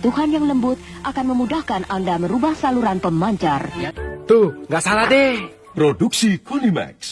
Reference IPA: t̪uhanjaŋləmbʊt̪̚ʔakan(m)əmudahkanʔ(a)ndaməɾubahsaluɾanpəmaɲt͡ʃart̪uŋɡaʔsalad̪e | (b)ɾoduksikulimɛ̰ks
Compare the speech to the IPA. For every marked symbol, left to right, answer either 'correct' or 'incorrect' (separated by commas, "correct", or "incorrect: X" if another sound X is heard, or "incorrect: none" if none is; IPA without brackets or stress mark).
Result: correct, correct, incorrect: p